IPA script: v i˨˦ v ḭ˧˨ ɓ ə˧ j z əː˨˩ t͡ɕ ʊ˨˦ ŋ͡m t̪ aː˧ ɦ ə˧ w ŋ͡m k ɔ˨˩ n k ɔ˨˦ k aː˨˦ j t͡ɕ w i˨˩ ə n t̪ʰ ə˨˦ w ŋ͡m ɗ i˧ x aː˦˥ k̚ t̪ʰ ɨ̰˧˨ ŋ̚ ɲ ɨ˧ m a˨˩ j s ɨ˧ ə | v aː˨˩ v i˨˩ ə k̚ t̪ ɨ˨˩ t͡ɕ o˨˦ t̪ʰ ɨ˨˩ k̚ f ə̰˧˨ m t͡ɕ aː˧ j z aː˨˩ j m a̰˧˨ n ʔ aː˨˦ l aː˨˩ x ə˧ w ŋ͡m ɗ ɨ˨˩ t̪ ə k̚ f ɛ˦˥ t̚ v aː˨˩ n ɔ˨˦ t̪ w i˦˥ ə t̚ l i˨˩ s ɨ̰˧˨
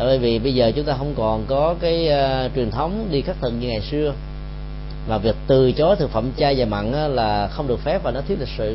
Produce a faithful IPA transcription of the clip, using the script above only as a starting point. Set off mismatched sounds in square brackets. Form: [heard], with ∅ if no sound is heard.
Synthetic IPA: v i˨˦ v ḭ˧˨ ɓ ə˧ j z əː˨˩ t͡ɕ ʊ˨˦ ŋ͡m t̪ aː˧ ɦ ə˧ w ŋ͡m k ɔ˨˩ n k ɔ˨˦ k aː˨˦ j t͡ɕ w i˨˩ ə n t̪ʰ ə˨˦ w ŋ͡m ɗ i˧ x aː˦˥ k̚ t̪ʰ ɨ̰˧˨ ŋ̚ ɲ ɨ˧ [ŋ] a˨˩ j s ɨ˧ ə | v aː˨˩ v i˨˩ ə k̚ t̪ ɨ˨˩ t͡ɕ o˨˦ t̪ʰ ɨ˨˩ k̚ f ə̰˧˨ m t͡ɕ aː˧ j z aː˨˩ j m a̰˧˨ n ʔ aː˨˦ l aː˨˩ x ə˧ w ŋ͡m ɗ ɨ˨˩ [∅] ə k̚ f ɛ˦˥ [p̚] v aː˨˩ n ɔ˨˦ t̪ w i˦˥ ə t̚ l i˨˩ s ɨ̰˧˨